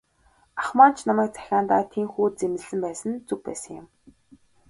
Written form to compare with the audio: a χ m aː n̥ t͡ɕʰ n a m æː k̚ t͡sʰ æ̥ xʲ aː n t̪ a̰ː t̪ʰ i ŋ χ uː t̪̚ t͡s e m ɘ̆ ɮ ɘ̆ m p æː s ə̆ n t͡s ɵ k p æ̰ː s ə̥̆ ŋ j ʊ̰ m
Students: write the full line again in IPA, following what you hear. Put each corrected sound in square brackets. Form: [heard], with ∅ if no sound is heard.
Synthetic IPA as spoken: a χ m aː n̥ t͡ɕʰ n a m æː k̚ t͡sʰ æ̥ xʲ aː n t̪ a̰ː t̪ʰ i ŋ [x] uː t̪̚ t͡s e m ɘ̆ ɮ ɘ̆ m p æː s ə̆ n t͡s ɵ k p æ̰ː s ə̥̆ ŋ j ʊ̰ m